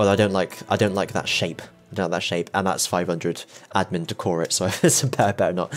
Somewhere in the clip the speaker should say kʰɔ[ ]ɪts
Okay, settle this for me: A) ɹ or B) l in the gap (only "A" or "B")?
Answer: A